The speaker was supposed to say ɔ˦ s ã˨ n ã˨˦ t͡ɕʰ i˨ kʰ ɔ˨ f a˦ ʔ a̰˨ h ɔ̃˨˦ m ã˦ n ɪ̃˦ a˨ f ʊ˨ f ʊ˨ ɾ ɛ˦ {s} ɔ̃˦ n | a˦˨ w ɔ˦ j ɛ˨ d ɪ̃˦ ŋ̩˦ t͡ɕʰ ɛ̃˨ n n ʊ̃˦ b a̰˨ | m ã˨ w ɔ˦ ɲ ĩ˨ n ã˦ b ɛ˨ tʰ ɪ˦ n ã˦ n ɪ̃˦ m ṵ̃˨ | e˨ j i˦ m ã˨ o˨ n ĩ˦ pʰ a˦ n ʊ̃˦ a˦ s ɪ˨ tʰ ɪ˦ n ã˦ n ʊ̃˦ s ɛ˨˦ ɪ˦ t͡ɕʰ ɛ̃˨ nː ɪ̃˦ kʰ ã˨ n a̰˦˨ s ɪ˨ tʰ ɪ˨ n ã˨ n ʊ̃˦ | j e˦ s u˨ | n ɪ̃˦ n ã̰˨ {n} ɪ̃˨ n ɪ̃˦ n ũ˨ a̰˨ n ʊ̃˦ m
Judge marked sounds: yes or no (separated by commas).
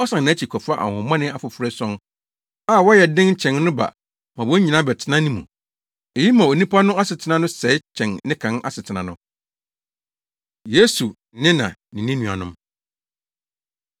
yes, yes